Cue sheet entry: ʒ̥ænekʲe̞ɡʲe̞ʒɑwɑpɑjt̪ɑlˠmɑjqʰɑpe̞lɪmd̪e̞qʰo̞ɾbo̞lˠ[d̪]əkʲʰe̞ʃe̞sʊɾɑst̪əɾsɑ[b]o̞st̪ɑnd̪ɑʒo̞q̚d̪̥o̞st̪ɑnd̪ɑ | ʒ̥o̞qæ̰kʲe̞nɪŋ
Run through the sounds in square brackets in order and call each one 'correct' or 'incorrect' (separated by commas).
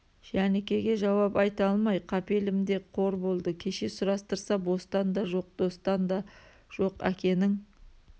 correct, correct